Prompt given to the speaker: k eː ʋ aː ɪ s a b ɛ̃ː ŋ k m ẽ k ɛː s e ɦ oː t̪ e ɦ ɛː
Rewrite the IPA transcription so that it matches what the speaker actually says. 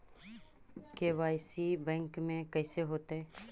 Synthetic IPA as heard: k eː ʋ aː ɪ s i b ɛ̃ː ŋ k m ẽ k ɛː s e ɦ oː t̪ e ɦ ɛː